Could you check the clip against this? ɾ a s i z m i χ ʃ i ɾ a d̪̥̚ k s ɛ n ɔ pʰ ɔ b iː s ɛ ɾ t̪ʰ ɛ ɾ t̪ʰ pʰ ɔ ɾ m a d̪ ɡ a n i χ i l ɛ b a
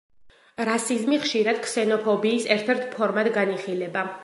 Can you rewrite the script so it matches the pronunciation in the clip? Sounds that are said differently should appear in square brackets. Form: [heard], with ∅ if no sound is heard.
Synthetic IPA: ɾ a s i z m i χ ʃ i ɾ a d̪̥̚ k s ɛ n ɔ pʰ ɔ b iː s ɛ ɾ t̪ʰ ɛ ɾ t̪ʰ pʰ ɔ ɾ m a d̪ ɡ a n i χ i l ɛ b a